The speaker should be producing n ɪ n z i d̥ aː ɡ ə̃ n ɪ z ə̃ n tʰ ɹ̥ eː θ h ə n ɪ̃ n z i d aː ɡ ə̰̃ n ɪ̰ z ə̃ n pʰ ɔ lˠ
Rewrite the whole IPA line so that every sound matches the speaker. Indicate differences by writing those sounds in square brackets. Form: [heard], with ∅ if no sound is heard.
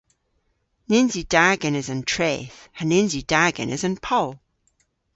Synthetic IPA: n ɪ n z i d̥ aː ɡ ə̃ n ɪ z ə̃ n tʰ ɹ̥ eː θ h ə n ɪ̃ n z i d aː ɡ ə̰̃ n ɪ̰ z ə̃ n pʰ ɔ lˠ